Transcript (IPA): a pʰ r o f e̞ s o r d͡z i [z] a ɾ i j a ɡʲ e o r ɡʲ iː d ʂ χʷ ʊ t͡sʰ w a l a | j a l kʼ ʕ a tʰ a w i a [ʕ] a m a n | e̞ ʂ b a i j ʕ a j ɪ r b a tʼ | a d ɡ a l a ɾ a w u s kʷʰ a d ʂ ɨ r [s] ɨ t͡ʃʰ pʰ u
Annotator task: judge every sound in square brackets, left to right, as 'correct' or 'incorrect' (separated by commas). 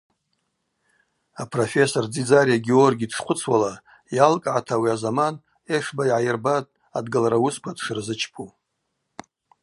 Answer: incorrect, incorrect, incorrect